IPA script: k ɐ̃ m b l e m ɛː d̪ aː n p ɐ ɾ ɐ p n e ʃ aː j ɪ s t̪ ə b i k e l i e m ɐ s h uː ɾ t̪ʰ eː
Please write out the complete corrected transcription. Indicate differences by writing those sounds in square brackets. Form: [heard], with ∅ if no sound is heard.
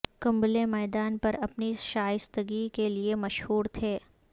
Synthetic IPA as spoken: k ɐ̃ m b l e m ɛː d̪ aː n p ɐ ɾ ɐ p n [i] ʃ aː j ɪ s t̪ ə [ɡ] i k e l i e m ɐ [ʃ] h uː ɾ t̪ʰ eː